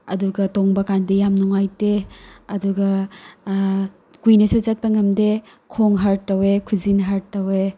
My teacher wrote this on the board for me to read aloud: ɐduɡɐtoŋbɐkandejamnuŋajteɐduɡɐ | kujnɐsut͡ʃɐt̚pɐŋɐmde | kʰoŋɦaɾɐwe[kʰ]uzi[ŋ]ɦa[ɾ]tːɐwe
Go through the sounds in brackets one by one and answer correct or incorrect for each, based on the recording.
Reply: correct, incorrect, correct

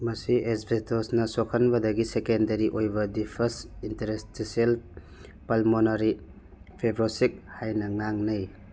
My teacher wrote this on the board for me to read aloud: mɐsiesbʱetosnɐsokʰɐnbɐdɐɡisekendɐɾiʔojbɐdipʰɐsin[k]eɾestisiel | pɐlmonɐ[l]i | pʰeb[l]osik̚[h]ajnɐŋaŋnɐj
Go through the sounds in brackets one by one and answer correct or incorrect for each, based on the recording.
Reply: incorrect, incorrect, incorrect, correct

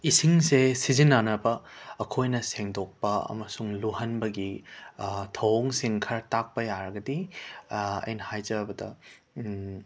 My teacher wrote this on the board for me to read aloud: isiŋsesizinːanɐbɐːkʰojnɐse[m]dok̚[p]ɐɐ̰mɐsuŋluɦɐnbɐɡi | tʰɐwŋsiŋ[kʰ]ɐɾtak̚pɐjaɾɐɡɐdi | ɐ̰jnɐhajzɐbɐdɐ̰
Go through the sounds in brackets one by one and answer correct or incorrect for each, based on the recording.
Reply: incorrect, correct, correct

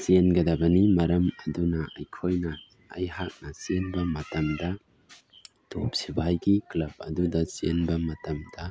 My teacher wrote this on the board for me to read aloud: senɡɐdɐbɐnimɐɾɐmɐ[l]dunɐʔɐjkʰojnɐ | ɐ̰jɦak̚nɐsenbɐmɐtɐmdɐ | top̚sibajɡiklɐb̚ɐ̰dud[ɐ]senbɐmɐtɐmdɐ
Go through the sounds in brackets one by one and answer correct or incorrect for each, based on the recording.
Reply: incorrect, correct

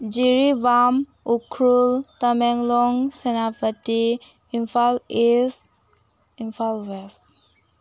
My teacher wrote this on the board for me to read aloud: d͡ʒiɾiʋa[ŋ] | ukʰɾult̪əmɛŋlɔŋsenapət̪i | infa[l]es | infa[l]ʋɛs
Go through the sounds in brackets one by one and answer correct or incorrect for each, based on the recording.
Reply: incorrect, correct, correct

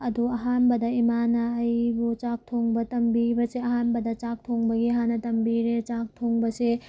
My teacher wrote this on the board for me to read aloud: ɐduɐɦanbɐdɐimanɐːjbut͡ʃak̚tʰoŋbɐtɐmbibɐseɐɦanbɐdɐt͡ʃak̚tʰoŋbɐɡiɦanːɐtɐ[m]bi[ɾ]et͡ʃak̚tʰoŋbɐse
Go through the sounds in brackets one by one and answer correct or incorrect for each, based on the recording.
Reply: correct, correct

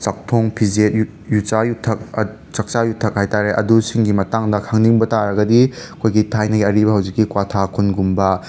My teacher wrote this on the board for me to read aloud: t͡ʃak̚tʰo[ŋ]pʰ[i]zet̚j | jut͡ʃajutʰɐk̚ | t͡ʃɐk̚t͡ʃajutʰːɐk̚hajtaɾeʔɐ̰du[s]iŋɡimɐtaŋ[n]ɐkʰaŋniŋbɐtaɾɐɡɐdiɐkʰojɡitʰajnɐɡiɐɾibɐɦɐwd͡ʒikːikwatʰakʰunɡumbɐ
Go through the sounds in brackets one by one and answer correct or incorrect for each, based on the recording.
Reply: correct, correct, correct, incorrect

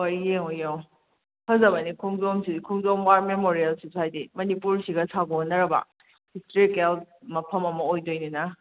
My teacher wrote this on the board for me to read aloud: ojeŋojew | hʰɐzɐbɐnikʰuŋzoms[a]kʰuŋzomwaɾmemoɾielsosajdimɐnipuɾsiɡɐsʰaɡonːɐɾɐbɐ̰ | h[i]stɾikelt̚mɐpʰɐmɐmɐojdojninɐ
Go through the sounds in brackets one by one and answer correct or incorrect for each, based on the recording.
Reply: incorrect, correct

